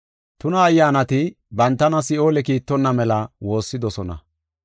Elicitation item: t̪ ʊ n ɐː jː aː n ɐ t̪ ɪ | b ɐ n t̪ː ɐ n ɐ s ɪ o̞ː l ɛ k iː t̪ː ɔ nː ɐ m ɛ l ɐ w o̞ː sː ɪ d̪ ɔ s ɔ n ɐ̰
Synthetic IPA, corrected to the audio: t̪ ʊ n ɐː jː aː n ɐ t̪ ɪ | b ɐ n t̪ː ɐ n ɐ s ɪ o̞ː l ɛ k iː t̪ː ɔ nː ɐ m ɛ l ɐ w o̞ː sː ɪ d̪ ɔ s ɔ n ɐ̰